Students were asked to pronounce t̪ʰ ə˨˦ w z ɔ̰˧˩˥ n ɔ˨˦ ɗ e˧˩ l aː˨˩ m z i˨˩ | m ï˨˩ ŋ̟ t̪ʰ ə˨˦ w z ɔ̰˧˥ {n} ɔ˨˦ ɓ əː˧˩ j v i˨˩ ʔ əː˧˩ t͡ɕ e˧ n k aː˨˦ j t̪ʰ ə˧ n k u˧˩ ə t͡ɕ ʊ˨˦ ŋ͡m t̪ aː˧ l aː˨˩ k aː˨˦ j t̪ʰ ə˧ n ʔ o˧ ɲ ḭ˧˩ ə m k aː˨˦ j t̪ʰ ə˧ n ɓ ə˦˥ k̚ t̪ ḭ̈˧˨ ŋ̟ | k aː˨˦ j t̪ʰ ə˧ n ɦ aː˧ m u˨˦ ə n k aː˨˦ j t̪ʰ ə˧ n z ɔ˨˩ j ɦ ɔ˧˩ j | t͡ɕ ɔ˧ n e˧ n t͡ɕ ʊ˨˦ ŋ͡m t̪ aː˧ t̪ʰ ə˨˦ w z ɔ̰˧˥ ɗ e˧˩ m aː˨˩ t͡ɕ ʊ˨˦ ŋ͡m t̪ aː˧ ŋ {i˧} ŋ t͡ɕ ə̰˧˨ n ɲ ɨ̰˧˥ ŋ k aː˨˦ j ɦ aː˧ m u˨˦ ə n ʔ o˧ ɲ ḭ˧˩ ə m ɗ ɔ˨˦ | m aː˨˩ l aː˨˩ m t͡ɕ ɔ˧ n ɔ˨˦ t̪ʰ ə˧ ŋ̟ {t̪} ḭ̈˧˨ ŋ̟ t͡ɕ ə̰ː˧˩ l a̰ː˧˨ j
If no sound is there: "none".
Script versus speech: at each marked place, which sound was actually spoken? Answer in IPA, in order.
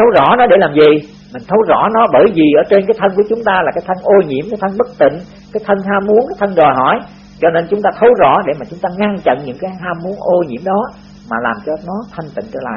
n, a˧, t̪

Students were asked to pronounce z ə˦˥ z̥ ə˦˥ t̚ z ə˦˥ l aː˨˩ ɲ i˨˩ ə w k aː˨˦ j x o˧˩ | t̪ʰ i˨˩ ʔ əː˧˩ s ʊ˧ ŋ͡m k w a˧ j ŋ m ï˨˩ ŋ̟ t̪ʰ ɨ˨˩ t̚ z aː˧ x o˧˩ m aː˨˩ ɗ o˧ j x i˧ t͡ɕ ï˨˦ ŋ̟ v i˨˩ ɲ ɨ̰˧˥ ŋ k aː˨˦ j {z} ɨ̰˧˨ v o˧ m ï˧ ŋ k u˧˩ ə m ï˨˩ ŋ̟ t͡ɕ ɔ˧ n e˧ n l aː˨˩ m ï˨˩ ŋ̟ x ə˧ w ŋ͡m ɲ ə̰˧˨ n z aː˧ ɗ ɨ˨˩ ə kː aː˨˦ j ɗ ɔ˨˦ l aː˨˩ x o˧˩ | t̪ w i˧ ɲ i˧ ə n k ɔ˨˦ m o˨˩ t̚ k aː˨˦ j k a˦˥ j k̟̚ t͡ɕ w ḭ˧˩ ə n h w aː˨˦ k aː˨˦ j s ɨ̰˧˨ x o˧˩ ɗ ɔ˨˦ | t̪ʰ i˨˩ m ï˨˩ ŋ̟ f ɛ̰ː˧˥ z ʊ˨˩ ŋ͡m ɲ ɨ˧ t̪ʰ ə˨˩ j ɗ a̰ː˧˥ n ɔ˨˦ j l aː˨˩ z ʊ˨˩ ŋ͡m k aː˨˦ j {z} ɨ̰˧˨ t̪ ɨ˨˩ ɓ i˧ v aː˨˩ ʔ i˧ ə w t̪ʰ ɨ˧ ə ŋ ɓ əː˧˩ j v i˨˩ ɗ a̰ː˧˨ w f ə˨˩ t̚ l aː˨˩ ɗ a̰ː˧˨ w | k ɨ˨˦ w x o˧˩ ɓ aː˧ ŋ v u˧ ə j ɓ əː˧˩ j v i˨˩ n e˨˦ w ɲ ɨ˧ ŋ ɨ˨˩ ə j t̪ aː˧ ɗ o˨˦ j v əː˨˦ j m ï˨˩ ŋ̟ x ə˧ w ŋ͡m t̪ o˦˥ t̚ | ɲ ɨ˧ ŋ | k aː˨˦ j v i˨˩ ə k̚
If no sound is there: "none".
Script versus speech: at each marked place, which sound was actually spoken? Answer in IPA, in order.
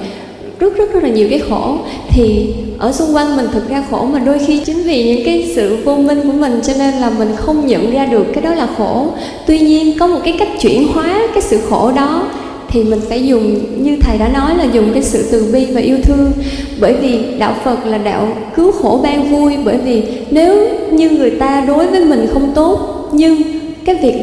s, s

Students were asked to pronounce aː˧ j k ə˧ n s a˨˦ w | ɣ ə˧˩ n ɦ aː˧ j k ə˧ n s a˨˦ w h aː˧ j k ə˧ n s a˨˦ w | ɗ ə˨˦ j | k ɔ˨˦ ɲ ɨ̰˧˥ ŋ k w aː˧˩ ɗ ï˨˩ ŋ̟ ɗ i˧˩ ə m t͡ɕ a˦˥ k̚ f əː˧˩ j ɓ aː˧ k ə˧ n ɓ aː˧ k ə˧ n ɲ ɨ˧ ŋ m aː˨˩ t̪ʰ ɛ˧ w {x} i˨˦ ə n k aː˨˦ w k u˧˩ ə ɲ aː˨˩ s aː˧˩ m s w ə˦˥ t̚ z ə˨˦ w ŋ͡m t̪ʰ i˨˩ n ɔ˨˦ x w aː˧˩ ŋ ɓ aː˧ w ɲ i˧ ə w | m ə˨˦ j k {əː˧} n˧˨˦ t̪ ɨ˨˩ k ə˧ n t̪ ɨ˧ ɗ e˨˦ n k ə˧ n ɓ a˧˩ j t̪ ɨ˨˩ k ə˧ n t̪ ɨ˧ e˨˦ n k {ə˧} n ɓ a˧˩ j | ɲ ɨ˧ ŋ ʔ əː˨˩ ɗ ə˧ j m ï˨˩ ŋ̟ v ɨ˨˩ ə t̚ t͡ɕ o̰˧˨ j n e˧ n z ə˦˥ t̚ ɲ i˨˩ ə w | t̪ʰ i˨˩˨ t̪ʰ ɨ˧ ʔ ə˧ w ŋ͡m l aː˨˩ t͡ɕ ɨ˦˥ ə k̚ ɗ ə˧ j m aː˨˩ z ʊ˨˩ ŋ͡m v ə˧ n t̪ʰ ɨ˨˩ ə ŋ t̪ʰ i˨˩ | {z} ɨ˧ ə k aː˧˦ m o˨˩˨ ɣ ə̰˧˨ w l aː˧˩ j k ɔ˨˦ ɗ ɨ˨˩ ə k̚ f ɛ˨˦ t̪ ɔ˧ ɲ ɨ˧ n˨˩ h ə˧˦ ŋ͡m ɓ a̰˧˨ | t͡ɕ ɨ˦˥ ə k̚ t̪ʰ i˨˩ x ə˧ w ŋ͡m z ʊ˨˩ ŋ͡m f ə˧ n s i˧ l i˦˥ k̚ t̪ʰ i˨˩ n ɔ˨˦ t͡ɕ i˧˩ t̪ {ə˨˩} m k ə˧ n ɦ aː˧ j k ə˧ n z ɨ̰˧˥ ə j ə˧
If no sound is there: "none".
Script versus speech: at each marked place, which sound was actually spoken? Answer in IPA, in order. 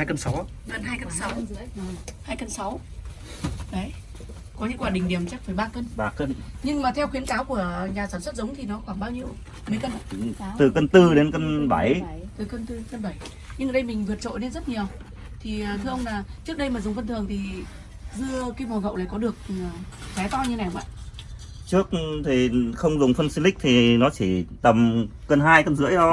x, ə˧, ə˧, z, ə˨˩

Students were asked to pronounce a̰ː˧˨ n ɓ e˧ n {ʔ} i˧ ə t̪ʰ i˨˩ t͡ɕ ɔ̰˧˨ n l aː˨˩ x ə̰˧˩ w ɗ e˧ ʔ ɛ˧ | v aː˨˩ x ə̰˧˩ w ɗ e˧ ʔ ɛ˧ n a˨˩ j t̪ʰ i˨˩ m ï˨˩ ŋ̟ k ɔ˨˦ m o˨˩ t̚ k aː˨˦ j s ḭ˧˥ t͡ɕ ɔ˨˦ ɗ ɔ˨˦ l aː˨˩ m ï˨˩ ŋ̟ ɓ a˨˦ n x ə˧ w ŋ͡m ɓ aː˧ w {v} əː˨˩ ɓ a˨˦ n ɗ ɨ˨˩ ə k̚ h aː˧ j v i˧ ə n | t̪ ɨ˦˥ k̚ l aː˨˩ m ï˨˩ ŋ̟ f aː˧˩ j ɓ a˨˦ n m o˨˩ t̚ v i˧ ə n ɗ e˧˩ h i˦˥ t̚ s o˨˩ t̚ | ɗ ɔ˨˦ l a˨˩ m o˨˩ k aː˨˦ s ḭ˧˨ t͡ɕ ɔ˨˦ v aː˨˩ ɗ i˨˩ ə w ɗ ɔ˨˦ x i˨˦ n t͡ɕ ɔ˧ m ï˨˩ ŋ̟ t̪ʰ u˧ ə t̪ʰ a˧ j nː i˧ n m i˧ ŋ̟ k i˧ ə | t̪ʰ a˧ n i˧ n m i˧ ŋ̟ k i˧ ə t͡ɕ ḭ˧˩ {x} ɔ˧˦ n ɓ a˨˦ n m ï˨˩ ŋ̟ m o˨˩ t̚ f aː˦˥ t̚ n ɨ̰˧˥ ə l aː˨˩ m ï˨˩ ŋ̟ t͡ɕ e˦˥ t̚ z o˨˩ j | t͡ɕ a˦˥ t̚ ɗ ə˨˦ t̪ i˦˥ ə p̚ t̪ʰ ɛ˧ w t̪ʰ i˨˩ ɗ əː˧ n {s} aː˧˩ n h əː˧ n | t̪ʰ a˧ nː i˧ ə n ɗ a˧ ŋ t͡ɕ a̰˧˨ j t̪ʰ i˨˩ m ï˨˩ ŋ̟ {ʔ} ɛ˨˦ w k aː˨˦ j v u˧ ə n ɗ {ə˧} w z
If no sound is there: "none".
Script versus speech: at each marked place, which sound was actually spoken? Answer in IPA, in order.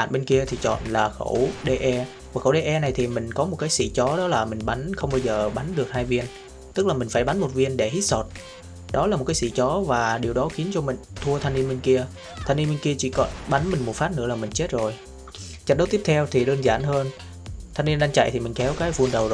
k, z, k, z, k, ə˨˩

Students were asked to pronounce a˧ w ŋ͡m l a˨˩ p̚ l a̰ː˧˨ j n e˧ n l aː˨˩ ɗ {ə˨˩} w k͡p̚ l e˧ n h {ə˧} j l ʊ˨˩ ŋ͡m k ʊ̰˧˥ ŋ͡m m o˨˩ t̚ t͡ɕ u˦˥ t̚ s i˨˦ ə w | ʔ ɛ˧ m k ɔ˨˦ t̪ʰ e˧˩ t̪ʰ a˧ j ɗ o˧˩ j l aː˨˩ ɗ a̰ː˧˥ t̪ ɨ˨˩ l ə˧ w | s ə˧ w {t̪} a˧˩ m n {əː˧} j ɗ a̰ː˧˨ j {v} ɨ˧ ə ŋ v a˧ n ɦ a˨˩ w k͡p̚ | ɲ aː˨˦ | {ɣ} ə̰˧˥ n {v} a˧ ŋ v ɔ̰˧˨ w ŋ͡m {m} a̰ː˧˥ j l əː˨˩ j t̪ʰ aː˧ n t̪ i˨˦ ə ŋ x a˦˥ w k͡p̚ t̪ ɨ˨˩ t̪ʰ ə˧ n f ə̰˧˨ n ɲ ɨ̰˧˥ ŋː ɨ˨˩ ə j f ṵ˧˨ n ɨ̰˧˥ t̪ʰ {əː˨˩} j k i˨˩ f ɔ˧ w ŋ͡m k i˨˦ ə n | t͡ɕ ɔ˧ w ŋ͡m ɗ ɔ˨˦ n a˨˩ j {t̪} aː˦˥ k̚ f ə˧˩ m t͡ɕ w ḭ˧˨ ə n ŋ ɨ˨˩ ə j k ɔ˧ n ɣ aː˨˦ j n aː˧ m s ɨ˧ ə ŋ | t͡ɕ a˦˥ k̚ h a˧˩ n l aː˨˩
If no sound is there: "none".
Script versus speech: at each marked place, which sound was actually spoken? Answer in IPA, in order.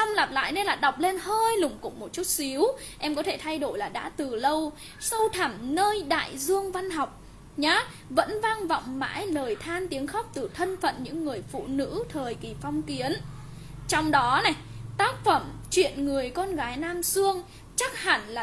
a˨˩, əː˧, t̪ʰ, əː˧, z, v, v, m, əː˨˩, t̪

